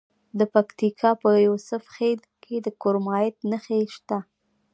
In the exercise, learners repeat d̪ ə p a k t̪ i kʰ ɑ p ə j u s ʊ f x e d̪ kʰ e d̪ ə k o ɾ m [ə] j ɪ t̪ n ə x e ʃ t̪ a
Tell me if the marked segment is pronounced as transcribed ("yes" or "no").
no